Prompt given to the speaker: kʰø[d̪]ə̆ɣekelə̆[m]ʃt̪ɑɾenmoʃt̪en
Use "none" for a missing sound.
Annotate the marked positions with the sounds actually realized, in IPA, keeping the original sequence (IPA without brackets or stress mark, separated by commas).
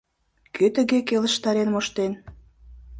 t̪, none